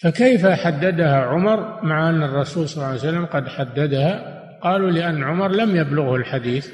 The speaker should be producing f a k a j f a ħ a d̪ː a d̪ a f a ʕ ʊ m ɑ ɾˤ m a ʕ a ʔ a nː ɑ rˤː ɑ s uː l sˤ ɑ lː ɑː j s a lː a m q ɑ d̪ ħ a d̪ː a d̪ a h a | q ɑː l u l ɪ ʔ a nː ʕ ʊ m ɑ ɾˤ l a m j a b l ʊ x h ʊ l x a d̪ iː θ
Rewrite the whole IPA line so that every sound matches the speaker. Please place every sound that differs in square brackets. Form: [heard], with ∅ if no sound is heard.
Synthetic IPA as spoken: f a k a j f a ħ a d̪ː a d̪ a [h] a ʕ ʊ m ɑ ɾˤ m a ʕ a ʔ a nː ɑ rˤː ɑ s uː l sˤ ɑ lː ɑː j s a lː a m q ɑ d̪ ħ a d̪ː a d̪ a h a | q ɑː l u l ɪ ʔ a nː ʕ ʊ m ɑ ɾˤ l a m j a b l ʊ [ɣ] h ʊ l [ħ] a d̪ iː θ